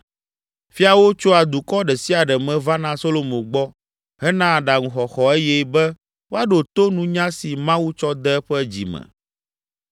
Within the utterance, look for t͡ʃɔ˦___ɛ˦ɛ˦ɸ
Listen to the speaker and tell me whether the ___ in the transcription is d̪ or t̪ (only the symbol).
d̪